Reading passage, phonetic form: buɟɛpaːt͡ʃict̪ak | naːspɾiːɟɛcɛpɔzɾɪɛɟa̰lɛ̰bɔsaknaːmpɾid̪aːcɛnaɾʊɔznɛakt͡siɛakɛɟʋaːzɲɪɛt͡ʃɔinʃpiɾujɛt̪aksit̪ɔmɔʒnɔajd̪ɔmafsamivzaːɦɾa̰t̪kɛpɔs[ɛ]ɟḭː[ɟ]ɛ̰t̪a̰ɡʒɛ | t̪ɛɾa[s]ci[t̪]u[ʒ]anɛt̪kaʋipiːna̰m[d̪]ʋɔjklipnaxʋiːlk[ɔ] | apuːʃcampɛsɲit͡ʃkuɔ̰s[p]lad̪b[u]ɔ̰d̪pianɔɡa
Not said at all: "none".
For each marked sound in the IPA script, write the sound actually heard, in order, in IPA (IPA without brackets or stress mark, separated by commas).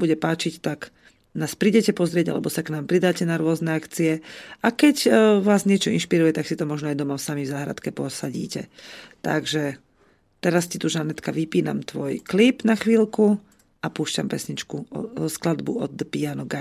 a, c, s, t̪, ʒ, t̪, u, k, u